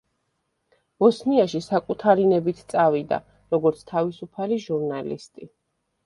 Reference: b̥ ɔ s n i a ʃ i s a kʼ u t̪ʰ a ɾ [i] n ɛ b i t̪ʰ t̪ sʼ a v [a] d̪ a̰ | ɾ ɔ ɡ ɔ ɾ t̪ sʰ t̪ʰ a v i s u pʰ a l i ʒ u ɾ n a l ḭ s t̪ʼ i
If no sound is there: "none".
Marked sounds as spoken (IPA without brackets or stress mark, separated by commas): i, i